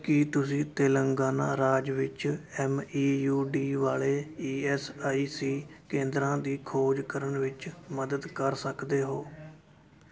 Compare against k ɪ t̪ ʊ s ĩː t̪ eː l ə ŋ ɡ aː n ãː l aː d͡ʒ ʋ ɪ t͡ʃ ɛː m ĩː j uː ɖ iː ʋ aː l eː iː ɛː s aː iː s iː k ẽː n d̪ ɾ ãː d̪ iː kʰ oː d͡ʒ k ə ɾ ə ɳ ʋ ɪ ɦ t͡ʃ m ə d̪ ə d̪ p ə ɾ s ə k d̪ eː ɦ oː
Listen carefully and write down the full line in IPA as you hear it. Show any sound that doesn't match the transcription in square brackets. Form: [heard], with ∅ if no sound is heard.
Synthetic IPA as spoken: k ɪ t̪ ʊ s ĩː t̪ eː l ə ŋ ɡ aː n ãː [ɾ] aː d͡ʒ ʋ ɪ t͡ʃ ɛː m [iː] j uː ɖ iː ʋ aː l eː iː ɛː s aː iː s iː k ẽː n d̪ ɾ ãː d̪ iː kʰ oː d͡ʒ k ə ɾ ə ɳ ʋ ɪ [∅] t͡ʃ m ə d̪ ə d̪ [k] ə ɾ s ə k d̪ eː ɦ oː